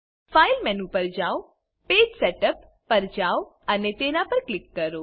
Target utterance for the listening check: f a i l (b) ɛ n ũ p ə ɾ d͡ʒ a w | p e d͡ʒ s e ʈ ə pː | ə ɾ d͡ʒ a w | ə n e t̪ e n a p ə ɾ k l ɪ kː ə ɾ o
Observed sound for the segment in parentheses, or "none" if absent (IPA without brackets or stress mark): m